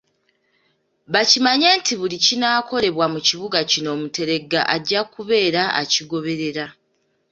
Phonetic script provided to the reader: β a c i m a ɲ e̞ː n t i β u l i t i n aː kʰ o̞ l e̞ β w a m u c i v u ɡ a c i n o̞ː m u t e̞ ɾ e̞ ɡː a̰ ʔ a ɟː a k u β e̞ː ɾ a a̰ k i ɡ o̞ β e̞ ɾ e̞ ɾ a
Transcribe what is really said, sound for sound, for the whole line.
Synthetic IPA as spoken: β a c i m a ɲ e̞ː n t i β u l i c i n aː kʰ o̞ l e̞ β w a m u c i β u ɡ a c i n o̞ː m u t e̞ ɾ e̞ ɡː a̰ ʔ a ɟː a k u β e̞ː ɾ a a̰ c i ɡ o̞ β e̞ ɾ e̞ ɾ a